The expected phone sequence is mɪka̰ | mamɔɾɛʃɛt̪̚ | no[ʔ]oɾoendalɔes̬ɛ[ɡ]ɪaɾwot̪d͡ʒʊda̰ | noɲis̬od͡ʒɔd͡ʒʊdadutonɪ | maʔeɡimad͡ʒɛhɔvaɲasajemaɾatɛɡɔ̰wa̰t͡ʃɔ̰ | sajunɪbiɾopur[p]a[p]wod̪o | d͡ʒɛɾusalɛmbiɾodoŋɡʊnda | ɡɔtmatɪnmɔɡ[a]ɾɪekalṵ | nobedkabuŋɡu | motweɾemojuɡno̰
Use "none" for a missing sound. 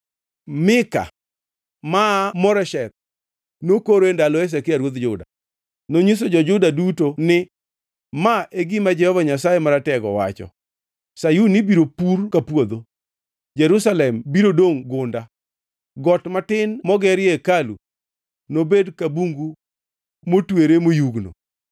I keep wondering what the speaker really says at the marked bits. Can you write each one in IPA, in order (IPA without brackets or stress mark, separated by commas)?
k, k, k, p, ɛ